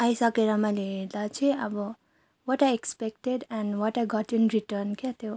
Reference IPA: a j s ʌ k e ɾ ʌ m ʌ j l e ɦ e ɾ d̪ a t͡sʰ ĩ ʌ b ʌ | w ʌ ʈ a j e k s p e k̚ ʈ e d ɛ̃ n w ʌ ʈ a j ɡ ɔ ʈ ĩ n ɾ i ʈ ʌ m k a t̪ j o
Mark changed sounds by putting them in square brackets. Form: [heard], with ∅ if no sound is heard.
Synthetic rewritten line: a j s ʌ k e ɾ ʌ m ʌ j l e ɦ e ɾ d̪ a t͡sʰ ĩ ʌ b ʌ | w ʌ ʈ a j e k s p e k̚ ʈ e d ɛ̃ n w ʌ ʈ a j ɡ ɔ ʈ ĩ n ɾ i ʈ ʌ [n] k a t̪ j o